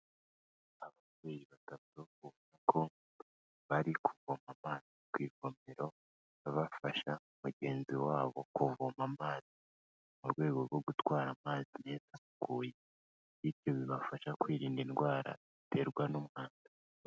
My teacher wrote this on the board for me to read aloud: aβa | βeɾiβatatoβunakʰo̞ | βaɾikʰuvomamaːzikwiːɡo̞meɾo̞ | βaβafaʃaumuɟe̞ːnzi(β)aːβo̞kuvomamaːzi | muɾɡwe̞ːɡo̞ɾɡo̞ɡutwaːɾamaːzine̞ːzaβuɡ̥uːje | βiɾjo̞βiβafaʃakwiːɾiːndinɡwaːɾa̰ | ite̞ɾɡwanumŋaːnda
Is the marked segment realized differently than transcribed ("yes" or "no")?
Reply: yes